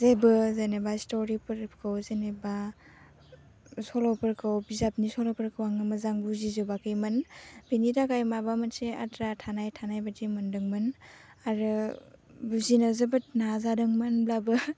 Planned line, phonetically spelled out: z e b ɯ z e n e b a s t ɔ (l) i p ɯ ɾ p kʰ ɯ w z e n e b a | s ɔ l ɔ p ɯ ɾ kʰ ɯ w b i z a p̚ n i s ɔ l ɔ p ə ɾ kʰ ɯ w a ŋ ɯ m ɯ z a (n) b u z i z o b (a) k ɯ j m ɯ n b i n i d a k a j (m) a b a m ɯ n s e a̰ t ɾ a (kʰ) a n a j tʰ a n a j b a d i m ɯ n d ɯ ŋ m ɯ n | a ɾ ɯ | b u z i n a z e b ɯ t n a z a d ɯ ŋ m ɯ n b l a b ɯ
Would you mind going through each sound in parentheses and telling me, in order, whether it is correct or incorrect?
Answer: incorrect: ɾ, incorrect: ŋ, correct, correct, incorrect: tʰ

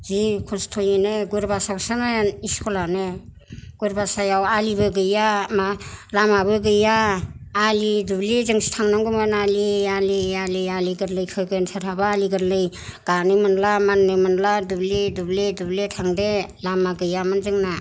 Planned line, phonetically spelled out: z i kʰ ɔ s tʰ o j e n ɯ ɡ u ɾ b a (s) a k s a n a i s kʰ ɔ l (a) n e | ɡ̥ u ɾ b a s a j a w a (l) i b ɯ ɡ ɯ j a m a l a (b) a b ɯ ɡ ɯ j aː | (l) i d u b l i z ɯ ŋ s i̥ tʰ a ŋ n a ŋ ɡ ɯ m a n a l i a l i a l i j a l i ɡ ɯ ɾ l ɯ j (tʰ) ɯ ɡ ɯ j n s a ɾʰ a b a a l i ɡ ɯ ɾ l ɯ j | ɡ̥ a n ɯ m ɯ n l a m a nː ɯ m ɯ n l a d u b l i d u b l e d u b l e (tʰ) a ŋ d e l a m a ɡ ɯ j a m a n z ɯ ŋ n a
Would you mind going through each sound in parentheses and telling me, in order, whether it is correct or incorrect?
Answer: correct, correct, correct, incorrect: m, correct, incorrect: kʰ, correct

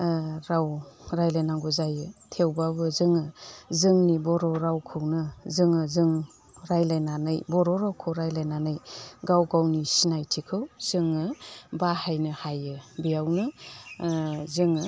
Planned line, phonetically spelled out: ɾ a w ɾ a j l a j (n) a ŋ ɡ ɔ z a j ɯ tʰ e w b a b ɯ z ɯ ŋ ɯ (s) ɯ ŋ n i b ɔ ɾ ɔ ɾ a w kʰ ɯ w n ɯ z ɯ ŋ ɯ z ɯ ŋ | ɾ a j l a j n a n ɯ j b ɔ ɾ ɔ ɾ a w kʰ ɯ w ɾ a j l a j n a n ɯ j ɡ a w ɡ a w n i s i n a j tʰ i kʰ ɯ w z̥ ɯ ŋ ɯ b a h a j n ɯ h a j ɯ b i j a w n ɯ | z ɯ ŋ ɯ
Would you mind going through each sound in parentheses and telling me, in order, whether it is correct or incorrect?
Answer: correct, incorrect: z

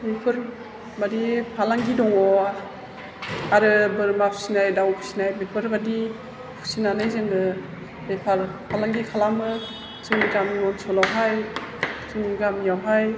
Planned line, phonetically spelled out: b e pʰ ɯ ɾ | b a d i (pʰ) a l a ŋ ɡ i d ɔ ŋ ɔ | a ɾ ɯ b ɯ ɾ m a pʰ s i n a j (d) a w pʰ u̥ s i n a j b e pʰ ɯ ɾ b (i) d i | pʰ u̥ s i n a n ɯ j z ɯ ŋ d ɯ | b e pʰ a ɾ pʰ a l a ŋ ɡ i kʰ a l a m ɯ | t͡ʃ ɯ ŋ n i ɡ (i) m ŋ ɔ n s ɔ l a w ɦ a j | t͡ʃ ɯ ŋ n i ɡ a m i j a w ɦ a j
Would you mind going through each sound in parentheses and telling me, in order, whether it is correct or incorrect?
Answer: correct, correct, incorrect: a, incorrect: a

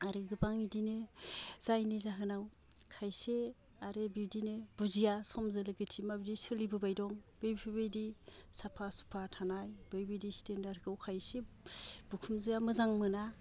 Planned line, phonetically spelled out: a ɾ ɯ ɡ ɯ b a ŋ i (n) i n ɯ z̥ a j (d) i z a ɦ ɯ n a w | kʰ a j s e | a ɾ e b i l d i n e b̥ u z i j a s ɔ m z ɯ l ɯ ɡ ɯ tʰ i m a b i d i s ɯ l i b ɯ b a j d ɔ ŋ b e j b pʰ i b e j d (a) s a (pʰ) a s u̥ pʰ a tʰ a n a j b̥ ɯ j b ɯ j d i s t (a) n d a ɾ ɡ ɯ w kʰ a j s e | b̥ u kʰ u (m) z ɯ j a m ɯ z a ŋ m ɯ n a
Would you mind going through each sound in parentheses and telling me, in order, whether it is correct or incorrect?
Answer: incorrect: d, incorrect: n, incorrect: i, correct, incorrect: e, correct

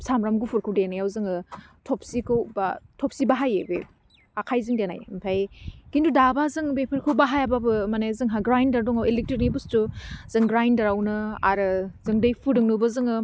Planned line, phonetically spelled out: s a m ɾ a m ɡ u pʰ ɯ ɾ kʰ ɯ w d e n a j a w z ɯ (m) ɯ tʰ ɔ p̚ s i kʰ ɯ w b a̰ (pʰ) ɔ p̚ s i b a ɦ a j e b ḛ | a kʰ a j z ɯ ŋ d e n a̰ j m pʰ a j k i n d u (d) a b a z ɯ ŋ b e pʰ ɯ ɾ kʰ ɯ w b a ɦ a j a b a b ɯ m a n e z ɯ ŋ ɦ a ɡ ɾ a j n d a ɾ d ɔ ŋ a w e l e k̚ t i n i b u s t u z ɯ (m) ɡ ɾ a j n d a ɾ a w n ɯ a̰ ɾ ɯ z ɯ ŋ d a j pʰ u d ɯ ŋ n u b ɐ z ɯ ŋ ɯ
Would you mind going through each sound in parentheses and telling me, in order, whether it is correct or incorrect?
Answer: incorrect: ŋ, incorrect: tʰ, correct, incorrect: ŋ

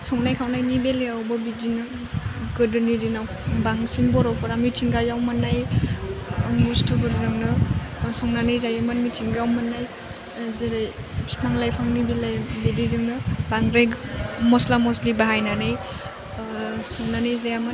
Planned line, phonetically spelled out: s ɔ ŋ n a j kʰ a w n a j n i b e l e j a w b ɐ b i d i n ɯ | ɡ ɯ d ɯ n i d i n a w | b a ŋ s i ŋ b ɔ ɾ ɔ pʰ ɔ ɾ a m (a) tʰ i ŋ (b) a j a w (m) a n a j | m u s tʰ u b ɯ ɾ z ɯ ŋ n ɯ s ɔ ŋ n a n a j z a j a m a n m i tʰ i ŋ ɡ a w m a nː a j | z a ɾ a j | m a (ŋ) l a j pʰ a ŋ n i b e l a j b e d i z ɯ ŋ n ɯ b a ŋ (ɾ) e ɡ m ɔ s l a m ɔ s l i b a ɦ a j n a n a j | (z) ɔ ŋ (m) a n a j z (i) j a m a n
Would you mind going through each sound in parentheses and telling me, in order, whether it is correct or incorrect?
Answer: incorrect: i, incorrect: ɡ, correct, correct, correct, incorrect: s, incorrect: n, incorrect: a

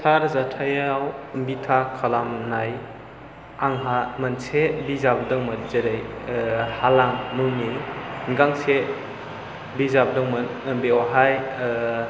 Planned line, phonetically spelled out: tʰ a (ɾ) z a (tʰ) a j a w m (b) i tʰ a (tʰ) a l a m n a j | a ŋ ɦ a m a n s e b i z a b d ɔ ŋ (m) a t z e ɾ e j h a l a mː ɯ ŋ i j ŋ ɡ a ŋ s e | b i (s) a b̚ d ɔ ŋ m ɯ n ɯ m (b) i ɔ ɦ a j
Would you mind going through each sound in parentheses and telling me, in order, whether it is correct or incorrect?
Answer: correct, correct, correct, incorrect: kʰ, correct, incorrect: z, correct

